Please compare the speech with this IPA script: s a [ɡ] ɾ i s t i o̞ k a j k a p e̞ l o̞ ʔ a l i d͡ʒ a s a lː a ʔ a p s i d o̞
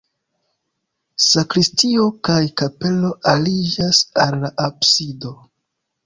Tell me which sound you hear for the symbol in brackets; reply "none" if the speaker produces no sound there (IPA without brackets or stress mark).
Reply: k